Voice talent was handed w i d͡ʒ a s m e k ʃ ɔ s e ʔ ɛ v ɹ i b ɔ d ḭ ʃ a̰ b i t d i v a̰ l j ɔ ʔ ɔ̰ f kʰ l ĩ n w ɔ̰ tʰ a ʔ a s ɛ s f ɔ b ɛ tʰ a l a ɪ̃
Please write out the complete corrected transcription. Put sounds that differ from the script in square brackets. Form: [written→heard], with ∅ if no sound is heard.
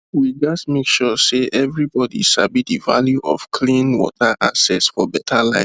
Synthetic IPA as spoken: w i d͡ʒ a s m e k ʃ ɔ s e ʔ ɛ v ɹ i b ɔ d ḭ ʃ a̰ b i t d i v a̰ l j [ɔ→u] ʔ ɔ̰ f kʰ l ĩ n w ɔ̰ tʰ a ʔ a s ɛ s f ɔ b ɛ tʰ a l a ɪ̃